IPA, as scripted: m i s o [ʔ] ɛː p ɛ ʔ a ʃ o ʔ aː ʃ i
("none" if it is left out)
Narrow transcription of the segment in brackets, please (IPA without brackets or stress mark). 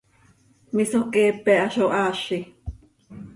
k